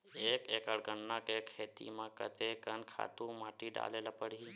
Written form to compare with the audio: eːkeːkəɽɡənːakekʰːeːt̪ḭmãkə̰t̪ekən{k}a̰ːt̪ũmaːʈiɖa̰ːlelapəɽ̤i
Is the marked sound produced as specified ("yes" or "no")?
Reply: no